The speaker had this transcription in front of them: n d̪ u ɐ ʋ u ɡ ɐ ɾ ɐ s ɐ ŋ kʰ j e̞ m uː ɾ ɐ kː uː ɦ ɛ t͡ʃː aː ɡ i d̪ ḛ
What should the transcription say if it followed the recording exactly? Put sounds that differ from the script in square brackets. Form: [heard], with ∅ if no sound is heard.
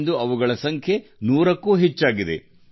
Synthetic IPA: n d̪ u ɐ ʋ u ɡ ɐ [ɭ] ɐ s ɐ ŋ kʰ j e̞ [n] uː ɾ ɐ kː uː ɦ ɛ t͡ʃː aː ɡ i d̪ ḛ